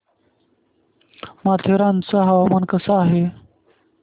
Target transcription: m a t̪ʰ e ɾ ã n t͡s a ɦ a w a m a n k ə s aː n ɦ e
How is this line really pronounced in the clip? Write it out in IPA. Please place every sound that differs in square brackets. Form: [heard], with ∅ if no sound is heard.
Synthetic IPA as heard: m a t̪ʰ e ɾ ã n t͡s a ɦ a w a m a n k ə s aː [∅] ɦ e